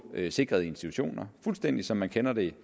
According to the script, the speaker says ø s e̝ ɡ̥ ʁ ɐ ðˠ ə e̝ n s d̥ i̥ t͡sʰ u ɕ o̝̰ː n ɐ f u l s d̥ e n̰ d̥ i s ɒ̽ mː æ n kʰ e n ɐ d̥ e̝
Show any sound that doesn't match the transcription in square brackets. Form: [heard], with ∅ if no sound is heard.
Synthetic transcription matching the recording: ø s e̝ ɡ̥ ʁ ɐ ðˠ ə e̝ n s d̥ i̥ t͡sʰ u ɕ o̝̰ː n ɐ f u l s d̥ e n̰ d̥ i s ɒ̽ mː æ n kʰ e n ɐ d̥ e̝